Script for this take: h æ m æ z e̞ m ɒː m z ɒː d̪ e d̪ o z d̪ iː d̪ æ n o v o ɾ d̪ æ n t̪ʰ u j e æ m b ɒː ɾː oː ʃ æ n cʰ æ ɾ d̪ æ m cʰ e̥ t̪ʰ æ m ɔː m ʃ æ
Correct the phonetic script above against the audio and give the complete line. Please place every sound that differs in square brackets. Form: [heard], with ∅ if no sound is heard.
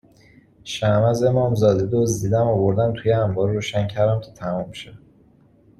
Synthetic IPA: [ʃ] æ m æ z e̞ m ɒː m z ɒː d̪ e d̪ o z d̪ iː d̪ æ [m] o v o ɾ d̪ æ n t̪ʰ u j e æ m b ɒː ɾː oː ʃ æ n cʰ æ ɾ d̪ æ m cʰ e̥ t̪ʰ æ m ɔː m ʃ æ